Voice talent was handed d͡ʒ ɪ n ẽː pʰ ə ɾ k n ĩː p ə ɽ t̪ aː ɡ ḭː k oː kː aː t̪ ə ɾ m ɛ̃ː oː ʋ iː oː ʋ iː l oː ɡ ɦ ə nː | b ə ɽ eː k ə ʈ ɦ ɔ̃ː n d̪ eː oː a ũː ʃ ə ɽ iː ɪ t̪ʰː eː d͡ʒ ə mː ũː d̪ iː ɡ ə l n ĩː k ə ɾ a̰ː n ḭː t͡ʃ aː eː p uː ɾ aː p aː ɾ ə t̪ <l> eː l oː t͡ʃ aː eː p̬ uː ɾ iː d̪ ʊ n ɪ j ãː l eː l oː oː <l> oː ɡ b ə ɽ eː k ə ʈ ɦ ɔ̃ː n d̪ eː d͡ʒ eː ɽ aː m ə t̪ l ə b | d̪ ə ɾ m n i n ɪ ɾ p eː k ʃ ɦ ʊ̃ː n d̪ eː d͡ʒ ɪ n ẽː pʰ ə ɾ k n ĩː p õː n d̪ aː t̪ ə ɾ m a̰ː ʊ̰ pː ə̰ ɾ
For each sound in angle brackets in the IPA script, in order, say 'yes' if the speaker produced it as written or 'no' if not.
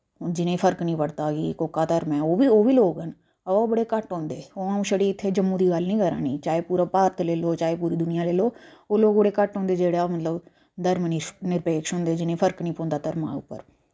yes, yes

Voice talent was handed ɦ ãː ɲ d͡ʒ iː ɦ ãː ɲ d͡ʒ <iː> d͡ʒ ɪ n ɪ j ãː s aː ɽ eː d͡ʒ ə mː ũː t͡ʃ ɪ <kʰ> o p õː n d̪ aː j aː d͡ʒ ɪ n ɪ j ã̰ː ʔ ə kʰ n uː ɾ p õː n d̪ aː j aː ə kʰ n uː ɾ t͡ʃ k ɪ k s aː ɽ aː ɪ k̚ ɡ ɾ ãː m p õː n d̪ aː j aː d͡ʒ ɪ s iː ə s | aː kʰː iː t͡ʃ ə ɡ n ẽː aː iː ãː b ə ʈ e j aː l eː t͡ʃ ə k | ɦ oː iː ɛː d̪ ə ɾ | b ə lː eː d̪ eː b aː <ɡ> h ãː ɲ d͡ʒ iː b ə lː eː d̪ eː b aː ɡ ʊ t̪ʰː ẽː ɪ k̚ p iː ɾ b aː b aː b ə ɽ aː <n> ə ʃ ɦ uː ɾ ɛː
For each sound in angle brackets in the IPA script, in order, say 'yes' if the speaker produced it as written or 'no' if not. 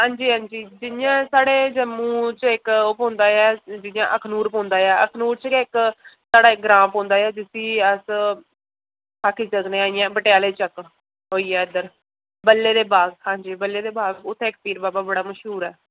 yes, no, yes, no

